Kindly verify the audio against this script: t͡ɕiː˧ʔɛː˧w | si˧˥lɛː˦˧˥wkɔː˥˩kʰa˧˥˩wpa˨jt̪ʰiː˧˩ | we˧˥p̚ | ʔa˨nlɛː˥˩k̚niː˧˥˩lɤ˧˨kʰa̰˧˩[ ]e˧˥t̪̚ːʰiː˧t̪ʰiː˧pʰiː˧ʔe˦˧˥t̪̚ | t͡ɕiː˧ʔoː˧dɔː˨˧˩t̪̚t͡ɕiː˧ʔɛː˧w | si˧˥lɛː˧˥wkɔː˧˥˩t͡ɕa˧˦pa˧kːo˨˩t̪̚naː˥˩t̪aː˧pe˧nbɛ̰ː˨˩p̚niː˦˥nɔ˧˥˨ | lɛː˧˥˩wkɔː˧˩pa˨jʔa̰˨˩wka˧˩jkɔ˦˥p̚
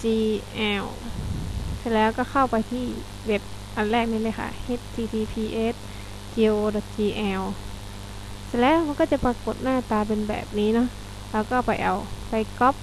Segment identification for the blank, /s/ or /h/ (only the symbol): h